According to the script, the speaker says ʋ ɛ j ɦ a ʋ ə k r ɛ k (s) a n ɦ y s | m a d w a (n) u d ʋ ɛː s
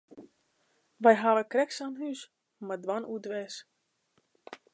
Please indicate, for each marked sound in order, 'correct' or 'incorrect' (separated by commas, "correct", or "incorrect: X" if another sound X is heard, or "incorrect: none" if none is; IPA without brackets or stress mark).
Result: correct, correct